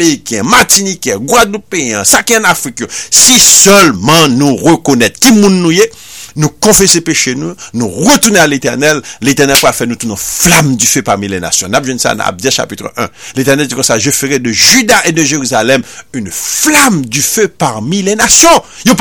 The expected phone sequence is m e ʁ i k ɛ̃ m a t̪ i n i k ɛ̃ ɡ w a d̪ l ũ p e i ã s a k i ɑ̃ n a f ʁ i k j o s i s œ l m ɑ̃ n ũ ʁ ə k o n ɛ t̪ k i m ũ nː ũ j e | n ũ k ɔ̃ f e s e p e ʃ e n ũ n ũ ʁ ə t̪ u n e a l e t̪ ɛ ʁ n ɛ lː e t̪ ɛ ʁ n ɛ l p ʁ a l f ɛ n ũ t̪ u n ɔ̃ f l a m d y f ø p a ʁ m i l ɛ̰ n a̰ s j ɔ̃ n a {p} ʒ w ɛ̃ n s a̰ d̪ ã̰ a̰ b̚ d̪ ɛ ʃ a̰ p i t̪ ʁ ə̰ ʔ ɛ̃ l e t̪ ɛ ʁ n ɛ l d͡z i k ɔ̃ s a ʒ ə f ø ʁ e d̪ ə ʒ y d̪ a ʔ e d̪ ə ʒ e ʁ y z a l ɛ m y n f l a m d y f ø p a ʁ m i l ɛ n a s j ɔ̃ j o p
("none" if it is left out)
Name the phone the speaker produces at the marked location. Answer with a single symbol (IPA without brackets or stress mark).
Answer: p